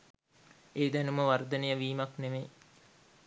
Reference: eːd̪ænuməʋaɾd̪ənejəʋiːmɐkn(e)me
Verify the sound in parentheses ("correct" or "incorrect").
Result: correct